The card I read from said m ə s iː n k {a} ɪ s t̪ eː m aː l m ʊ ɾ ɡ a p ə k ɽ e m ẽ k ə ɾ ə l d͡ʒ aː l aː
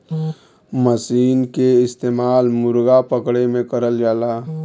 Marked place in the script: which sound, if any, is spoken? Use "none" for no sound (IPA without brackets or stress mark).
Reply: e